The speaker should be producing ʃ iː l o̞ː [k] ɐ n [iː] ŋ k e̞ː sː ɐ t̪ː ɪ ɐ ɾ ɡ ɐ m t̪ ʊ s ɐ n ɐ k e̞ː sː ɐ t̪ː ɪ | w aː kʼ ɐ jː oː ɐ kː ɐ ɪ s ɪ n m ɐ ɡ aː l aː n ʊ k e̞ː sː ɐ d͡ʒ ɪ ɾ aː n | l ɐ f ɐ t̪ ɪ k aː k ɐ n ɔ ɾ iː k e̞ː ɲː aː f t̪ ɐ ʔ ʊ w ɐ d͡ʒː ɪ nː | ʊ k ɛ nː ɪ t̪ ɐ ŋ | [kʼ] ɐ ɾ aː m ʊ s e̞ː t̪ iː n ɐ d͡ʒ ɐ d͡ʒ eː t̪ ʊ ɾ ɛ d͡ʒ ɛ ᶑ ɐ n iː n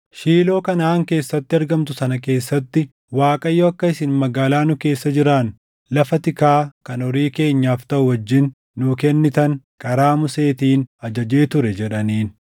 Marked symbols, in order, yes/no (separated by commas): yes, no, yes